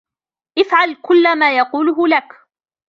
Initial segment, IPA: ʔ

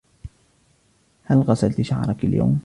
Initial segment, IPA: h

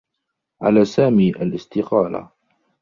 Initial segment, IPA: ʕ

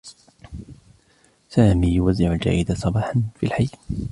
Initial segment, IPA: s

